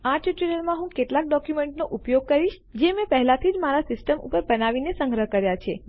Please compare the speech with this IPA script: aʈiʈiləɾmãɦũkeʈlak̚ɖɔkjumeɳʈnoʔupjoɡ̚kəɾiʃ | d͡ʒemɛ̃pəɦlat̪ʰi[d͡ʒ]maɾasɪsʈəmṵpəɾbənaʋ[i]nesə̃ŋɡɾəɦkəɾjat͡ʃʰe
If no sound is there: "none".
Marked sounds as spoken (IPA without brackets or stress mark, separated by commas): d͡ʒ, i